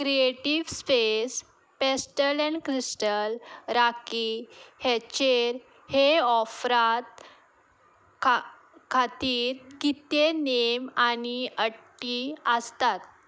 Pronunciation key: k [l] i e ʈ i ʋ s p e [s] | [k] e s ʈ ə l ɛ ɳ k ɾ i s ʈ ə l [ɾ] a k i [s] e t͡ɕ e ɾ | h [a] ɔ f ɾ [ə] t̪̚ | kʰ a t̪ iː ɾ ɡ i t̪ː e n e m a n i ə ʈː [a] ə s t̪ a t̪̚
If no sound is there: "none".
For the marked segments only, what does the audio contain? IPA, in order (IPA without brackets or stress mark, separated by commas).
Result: ɾ, s, p, ɾ, h, e, a, i